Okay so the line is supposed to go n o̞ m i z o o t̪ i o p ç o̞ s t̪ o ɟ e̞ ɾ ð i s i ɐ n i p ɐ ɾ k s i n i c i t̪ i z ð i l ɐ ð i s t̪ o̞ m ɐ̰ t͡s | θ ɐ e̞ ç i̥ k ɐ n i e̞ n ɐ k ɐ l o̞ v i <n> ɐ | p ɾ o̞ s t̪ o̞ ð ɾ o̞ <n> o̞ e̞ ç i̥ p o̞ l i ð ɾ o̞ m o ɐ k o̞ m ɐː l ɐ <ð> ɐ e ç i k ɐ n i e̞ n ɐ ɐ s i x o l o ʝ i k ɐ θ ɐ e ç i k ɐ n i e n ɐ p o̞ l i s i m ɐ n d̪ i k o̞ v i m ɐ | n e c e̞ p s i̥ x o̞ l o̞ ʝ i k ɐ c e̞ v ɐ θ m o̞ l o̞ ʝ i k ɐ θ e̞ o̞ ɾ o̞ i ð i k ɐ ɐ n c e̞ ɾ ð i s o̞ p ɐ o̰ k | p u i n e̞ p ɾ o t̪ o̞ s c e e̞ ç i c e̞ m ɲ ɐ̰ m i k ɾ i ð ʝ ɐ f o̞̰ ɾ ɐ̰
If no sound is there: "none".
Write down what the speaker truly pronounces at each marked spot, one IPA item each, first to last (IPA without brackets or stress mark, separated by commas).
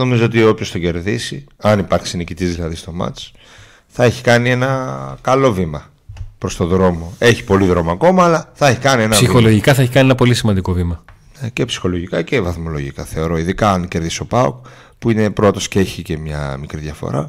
m, m, θ